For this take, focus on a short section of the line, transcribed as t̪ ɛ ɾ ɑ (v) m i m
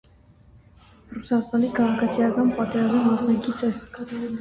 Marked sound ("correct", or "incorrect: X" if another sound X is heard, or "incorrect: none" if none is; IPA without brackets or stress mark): incorrect: z